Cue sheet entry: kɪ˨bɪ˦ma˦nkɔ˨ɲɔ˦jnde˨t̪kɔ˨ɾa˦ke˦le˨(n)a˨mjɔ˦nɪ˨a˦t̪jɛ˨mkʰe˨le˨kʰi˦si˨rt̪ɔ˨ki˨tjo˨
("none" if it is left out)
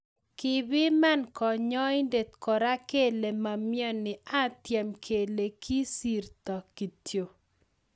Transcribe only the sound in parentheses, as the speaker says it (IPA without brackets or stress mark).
m